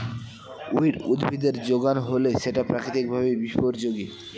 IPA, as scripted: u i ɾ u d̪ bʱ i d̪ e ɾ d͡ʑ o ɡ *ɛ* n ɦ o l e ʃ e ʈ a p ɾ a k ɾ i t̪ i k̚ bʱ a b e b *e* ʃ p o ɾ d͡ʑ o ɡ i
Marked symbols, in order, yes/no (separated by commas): no, no